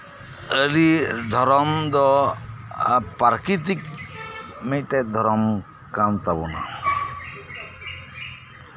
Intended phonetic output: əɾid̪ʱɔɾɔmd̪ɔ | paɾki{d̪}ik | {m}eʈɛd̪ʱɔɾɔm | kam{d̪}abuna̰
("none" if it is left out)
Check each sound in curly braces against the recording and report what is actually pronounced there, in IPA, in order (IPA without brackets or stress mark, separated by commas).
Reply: t̪, m, t̪